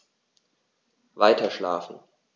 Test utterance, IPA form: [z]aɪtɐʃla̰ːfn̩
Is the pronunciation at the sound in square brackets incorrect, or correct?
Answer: incorrect